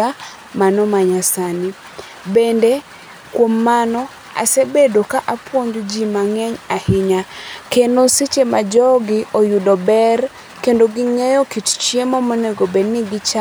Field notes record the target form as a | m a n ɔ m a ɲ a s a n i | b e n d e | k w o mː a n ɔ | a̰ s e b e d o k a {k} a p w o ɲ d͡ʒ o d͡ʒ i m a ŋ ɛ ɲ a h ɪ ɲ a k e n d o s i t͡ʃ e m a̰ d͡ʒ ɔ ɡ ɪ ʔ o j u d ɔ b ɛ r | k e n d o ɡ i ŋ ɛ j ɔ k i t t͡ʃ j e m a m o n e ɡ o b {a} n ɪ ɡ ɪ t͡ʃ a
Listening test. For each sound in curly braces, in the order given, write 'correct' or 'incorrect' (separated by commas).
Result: incorrect, incorrect